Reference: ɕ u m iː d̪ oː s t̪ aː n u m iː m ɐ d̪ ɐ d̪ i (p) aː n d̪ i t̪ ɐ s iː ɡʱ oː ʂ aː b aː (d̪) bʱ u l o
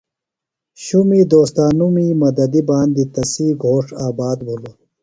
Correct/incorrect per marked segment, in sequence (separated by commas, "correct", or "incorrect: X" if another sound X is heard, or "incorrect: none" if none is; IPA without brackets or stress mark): incorrect: b, correct